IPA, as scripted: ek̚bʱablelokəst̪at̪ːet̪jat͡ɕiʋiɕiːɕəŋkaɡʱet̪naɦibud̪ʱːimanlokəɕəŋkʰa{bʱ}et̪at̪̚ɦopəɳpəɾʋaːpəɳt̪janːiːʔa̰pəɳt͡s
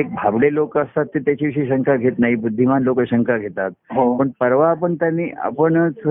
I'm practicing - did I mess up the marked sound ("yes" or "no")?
yes